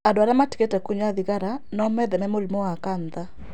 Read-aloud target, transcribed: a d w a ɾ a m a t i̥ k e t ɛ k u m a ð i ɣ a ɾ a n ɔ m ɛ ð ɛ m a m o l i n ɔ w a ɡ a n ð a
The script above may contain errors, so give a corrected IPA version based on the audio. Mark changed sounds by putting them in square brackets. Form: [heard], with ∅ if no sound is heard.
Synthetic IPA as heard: a d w a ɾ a m a t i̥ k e t ɛ k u [ɲ] a ð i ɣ a ɾ a n ɔ m ɛ ð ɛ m [ɛ] m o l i [m] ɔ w a [k] a n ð a